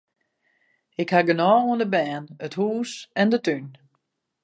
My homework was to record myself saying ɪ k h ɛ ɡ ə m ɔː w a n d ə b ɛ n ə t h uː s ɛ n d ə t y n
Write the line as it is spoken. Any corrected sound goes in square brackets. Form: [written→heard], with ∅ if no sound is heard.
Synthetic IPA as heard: ɪ k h [ɛ→a] ɡ ə [m→n] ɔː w [a→ə] n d ə b [ɛ→ɛː] n ə t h uː s ɛ n d ə t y n